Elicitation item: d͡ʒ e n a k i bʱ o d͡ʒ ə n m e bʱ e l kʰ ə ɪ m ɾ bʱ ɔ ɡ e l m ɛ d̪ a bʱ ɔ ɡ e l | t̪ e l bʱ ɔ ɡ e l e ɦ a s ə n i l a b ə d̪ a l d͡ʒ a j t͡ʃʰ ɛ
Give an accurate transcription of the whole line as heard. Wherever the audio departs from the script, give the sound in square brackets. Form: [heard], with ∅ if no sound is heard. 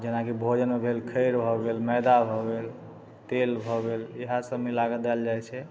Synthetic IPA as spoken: d͡ʒ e n a k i bʱ o d͡ʒ ə n m e bʱ e l kʰ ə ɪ [∅] ɾ bʱ ɔ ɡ e l m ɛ d̪ a bʱ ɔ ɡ e l | t̪ e l bʱ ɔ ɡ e l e ɦ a s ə [m] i l a [ɡ] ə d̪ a l d͡ʒ a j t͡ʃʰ ɛ